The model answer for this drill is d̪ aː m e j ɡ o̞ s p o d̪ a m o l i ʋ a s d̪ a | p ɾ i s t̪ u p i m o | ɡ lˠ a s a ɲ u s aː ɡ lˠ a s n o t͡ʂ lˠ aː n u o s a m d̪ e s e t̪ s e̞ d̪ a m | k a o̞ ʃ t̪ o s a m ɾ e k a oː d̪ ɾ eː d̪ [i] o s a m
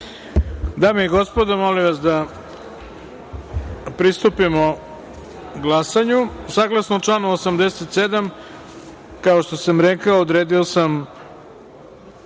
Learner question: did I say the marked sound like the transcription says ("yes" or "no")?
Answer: yes